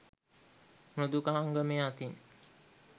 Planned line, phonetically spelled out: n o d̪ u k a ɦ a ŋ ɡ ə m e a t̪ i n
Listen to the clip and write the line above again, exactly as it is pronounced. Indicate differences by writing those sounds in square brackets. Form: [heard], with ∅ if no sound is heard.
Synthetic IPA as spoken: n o d̪ u k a ɦ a ŋ ɡ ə m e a t̪ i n